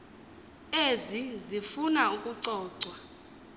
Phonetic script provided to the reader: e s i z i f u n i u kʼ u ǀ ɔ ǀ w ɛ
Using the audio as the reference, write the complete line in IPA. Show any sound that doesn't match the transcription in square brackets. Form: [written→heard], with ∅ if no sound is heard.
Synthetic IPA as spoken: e [s→z] i z i f u n [i→a] u kʼ u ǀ [ɔ→ɔː] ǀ w [ɛ→a]